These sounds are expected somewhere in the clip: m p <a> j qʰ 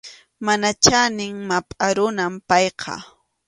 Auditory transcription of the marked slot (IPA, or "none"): ɑ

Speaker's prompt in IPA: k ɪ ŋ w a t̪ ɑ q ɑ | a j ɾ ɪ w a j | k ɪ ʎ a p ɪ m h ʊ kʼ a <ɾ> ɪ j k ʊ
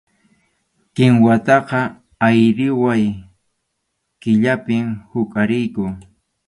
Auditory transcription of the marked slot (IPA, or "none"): ɾ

